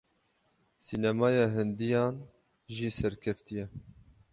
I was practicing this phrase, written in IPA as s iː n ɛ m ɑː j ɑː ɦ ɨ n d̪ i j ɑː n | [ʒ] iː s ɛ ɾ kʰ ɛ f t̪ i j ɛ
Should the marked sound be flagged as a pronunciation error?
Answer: no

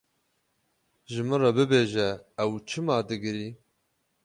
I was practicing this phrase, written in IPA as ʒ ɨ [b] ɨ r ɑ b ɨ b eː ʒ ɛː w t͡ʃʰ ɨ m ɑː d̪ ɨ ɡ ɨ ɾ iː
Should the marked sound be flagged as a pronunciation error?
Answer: yes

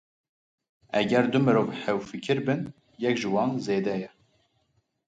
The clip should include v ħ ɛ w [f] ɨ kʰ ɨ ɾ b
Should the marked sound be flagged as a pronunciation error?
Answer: no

